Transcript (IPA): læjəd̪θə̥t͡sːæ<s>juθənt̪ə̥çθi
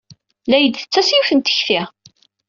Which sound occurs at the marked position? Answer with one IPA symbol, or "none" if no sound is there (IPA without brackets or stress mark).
s